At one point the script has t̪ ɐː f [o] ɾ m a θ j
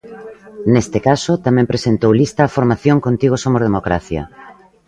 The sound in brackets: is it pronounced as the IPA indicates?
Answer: yes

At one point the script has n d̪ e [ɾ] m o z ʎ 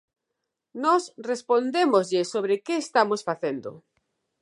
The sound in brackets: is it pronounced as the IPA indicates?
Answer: no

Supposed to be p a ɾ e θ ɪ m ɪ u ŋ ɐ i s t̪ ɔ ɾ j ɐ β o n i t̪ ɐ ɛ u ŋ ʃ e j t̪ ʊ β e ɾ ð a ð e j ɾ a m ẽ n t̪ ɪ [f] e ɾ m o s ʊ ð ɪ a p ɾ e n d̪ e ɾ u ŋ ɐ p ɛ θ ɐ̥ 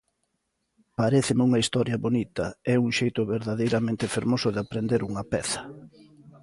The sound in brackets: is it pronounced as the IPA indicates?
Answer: yes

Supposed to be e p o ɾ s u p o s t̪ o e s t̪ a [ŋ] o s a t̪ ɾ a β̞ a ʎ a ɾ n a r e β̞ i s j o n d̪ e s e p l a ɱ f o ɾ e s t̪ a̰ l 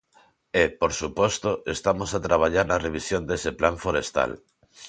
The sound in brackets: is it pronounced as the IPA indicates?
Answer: no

